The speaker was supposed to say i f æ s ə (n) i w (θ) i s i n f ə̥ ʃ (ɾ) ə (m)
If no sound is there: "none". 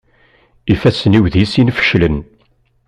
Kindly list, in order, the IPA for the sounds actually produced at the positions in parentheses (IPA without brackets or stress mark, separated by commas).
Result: n, ð, l, n